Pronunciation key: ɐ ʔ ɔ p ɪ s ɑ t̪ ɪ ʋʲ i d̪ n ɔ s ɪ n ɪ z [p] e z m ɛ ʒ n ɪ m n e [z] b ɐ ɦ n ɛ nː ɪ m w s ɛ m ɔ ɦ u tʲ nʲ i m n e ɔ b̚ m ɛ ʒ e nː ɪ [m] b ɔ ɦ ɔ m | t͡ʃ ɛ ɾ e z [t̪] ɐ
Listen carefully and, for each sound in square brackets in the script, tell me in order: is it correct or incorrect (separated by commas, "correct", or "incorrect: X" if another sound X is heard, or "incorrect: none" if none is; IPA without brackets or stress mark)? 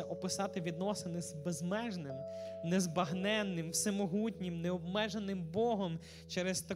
incorrect: b, correct, correct, correct